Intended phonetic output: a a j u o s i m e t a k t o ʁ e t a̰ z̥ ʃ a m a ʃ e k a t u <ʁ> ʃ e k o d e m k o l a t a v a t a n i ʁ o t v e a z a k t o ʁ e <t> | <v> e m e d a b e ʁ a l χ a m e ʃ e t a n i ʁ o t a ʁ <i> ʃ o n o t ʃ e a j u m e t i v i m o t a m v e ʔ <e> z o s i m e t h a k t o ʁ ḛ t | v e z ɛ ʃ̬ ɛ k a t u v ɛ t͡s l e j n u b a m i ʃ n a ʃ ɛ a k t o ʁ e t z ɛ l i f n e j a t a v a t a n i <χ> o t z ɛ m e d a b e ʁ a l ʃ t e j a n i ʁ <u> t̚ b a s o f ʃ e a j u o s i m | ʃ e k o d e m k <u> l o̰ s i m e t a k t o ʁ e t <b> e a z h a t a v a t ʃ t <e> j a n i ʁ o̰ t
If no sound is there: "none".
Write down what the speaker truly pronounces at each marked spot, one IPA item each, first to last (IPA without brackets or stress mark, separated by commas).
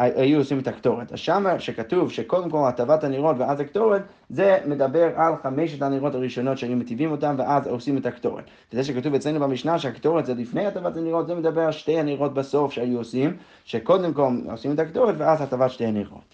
v, t, z, i, a, ʁ, o, o, v, e